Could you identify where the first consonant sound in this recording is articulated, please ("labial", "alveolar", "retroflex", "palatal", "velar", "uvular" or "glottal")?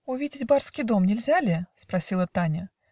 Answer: labial